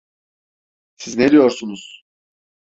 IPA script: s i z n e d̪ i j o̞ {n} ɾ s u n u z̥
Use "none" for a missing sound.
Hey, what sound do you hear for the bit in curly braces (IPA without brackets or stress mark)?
none